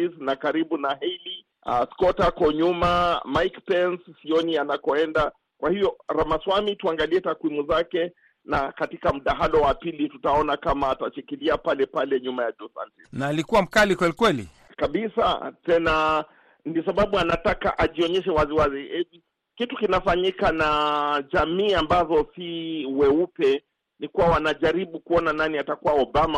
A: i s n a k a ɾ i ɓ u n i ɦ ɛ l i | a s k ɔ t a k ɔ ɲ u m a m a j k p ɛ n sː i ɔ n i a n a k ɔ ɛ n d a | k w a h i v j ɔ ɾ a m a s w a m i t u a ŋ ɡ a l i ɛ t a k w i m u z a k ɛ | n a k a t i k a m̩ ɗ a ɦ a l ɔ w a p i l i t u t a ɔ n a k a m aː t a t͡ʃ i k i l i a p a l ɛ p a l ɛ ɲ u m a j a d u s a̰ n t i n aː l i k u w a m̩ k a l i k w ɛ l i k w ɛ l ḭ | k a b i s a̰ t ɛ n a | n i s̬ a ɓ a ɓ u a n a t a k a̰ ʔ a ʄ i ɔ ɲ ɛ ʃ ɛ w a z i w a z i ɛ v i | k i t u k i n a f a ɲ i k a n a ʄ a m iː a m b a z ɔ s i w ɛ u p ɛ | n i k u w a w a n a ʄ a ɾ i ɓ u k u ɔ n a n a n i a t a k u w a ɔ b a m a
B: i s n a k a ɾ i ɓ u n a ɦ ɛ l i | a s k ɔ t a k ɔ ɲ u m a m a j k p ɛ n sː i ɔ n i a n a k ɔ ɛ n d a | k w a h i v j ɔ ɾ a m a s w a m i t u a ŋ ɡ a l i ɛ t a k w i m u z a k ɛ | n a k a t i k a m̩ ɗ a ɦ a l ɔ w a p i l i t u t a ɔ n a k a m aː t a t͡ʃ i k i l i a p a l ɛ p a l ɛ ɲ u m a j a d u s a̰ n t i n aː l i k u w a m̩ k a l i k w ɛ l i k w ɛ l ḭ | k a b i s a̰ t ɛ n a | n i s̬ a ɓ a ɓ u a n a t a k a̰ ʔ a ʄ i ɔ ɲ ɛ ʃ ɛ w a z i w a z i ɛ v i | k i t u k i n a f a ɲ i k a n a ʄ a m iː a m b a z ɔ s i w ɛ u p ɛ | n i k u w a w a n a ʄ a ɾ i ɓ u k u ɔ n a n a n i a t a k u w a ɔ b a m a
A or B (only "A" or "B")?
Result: B